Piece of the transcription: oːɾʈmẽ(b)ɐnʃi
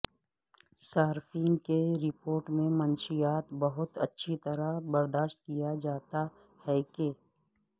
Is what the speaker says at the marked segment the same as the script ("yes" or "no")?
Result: no